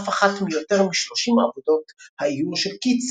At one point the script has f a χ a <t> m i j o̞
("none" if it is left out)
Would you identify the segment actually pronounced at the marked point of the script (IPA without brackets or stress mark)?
t